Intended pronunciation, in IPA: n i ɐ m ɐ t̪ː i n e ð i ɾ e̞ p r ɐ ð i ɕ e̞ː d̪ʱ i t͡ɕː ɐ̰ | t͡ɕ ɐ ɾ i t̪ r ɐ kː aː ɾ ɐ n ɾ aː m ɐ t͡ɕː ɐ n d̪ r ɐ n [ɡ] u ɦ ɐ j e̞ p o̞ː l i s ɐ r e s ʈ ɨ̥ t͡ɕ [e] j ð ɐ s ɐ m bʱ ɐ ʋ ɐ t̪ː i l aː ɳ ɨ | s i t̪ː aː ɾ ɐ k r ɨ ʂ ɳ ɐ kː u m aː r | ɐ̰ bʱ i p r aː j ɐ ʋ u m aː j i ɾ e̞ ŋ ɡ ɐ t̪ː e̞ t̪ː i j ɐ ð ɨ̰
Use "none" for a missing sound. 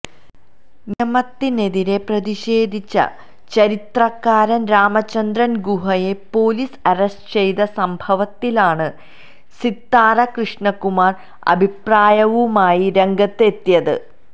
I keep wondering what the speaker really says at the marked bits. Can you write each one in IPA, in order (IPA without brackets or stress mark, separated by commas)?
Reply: ɡ, e